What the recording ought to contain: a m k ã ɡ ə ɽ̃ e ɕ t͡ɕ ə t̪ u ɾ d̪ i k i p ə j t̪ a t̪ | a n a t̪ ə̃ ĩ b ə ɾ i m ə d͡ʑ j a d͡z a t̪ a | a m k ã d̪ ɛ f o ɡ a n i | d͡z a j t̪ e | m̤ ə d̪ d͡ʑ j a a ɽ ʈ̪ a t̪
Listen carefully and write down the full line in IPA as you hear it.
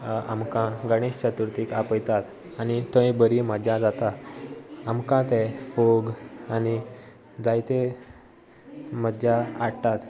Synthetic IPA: a m k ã ɡ ə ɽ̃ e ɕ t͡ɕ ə t̪ u ɾ t̪ i k a p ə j t̪ a t̪ | a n i t̪ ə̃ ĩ b ə ɾ i m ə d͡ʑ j a d͡z a t̪ a | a m k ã t̪ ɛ f o ɡ a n i | d͡z a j t̪ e | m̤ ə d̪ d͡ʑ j a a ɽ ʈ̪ a t̪

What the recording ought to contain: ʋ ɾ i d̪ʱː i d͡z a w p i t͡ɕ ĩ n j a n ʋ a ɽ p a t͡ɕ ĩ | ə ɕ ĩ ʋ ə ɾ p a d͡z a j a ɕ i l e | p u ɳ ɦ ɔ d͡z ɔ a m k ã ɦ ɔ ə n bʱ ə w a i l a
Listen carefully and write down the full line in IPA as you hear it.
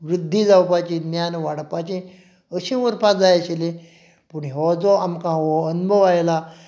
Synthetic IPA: ʋ ɾ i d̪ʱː i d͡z a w p a t͡ɕ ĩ n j a n ʋ a ɽ p a t͡ɕ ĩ | ə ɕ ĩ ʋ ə ɾ p a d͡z a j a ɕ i l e | p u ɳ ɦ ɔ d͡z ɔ a m k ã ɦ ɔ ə n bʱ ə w a j l a

